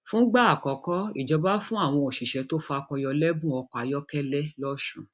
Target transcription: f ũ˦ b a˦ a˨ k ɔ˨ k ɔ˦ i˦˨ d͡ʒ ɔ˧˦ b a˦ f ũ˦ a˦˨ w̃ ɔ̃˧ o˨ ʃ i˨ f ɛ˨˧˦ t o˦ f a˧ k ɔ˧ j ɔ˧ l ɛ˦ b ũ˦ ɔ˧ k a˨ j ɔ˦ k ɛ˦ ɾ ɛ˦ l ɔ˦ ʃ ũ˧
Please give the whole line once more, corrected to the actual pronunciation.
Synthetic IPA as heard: f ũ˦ ɡ͡b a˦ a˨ k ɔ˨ k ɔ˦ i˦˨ d͡ʒ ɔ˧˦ b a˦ f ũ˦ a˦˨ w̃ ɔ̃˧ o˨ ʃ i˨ ʃ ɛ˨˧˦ t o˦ f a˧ k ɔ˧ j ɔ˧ l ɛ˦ b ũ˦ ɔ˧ k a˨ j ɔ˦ k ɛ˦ l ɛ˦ l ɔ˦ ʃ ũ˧